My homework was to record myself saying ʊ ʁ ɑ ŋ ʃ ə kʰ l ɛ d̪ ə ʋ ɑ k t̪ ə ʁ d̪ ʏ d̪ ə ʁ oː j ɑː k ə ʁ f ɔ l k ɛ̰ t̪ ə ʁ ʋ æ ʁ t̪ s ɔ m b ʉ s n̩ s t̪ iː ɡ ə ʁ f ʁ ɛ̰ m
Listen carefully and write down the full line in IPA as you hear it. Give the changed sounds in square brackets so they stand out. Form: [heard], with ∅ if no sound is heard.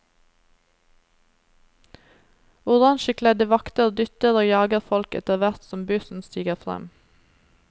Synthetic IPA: ʊ ʁ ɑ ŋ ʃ ə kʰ l ɛ d̪ ə ʋ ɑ k t̪ ə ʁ d̪ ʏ [t̪] ə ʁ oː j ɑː [ɡ] ə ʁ f ɔ l k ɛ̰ t̪ ə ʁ ʋ æ ʁ t̪ s ɔ m b ʉ s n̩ s t̪ iː ɡ ə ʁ f ʁ ɛ̰ m